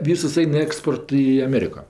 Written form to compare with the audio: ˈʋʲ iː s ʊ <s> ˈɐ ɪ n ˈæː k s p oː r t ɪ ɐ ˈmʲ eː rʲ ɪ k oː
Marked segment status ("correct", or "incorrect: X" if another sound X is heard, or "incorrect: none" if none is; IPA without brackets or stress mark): correct